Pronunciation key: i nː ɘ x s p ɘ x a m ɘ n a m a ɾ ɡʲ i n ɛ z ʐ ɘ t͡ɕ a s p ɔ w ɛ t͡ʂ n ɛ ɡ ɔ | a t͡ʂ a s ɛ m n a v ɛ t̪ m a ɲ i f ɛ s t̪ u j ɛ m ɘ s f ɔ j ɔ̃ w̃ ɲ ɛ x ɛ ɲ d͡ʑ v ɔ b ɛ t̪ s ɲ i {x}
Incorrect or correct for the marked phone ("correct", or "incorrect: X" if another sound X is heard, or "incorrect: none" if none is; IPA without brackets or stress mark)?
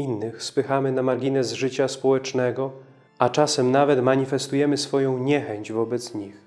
correct